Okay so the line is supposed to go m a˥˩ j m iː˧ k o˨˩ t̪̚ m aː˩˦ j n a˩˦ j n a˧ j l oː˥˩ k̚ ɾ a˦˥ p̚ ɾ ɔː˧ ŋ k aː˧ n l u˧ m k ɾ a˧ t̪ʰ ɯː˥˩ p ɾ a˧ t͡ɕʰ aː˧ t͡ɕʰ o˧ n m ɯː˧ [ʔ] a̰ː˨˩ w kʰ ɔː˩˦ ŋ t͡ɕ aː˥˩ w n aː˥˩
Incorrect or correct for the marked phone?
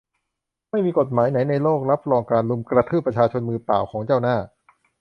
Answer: incorrect: p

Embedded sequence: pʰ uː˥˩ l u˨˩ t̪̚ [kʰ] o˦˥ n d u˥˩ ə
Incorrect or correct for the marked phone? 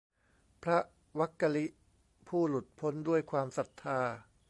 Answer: incorrect: pʰ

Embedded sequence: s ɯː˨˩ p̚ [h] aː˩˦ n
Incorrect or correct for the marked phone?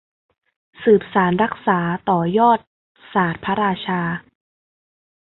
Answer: incorrect: s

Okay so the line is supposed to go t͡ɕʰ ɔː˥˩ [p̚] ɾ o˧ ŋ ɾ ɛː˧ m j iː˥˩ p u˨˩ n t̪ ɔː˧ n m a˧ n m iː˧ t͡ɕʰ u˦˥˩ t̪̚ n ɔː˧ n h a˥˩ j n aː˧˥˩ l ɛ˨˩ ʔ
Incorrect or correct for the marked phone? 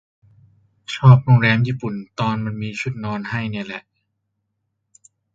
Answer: correct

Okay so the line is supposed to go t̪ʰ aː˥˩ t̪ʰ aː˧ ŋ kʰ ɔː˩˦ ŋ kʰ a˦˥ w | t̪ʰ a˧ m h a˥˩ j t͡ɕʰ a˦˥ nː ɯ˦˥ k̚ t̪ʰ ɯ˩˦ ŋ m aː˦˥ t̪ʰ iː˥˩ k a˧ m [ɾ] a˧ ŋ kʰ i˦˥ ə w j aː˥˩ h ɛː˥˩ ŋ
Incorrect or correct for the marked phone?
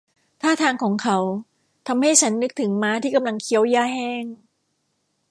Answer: incorrect: l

